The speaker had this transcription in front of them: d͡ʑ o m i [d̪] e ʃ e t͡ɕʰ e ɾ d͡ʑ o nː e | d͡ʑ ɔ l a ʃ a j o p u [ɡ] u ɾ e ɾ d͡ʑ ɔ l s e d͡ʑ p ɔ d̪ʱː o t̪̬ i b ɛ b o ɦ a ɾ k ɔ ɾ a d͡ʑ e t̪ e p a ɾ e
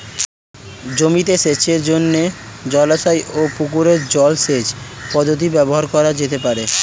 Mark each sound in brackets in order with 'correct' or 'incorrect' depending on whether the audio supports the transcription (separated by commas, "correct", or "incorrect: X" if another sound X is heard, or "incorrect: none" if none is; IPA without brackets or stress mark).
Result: incorrect: t̪, incorrect: k